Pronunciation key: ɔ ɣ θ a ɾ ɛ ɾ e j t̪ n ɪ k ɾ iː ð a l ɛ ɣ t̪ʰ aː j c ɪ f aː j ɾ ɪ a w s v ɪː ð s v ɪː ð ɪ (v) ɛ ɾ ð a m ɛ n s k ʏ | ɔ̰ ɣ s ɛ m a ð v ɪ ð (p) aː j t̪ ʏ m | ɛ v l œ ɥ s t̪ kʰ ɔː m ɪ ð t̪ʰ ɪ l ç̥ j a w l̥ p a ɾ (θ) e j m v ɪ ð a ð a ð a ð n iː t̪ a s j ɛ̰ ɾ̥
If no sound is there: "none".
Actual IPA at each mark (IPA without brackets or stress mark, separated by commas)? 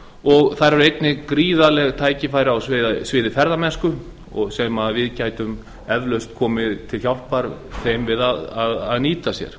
f, c, θ